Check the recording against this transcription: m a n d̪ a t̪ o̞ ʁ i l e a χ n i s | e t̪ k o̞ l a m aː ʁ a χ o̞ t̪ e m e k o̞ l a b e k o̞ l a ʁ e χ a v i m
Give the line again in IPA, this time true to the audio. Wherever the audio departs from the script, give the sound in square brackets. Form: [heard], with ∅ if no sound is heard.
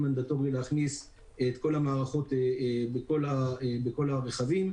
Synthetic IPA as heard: m a n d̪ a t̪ o̞ ʁ i l e a χ n i s | e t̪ k o̞ l a m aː ʁ a χ o̞ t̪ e [b] e k o̞ l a b e k o̞ l a ʁ e χ a v i m